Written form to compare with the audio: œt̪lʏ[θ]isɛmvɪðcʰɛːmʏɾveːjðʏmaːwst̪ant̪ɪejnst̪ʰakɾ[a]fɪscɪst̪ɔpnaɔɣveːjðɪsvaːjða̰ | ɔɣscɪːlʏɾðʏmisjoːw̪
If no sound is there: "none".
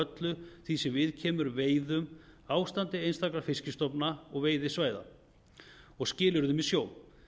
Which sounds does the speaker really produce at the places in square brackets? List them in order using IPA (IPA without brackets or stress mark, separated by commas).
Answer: θ, a